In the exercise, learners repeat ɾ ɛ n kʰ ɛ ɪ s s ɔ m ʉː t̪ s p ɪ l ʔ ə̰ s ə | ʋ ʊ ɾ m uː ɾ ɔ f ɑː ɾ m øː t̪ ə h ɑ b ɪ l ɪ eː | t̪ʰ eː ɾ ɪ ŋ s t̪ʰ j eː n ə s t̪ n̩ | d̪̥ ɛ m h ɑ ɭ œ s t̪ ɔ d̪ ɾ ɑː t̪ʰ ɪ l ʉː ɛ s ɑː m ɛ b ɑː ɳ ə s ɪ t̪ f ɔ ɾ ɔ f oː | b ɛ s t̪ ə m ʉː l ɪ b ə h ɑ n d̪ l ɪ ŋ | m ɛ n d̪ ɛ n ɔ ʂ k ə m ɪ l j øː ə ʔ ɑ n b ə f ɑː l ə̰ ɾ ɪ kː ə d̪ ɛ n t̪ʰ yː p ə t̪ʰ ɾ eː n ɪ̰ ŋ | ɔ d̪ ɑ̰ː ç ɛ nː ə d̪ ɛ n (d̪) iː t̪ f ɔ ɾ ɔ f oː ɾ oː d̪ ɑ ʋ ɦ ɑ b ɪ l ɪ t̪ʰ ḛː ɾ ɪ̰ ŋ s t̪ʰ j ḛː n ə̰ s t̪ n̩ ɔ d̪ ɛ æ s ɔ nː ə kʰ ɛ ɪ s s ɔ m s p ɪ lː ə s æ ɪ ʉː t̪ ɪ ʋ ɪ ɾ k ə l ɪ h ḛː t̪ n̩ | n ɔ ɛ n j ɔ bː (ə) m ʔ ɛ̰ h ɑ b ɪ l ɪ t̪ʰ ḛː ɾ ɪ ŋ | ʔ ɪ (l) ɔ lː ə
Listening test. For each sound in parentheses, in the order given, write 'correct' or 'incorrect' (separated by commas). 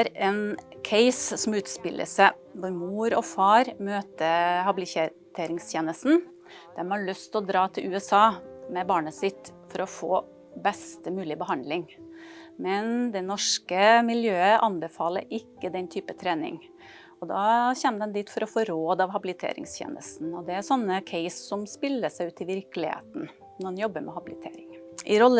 correct, correct, incorrect